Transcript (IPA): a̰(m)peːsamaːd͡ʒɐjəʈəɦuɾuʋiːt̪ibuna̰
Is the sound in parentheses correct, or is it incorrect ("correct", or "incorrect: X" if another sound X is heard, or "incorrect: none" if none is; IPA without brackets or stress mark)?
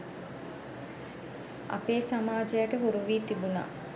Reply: incorrect: none